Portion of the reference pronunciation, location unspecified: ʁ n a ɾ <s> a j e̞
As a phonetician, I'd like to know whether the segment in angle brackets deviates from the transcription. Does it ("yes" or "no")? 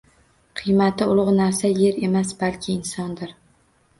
no